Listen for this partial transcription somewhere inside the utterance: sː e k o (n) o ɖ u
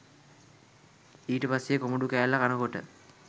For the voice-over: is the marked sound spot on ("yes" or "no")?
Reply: no